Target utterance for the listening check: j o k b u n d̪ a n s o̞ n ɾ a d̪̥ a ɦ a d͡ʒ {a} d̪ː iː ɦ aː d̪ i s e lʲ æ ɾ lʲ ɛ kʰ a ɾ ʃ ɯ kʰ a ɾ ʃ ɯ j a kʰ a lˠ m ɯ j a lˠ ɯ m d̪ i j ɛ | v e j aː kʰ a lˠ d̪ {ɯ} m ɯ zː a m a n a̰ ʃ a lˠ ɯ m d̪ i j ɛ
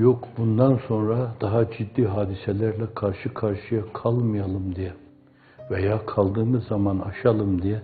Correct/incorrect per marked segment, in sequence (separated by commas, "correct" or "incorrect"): incorrect, incorrect